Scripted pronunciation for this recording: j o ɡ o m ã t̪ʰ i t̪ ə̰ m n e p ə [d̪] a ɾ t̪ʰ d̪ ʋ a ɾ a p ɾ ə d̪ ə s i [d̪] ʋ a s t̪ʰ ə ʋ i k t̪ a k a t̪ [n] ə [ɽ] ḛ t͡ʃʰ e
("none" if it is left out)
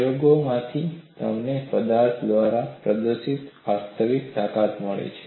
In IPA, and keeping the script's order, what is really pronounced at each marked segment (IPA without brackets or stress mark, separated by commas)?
d̪, t̪, m, ɭ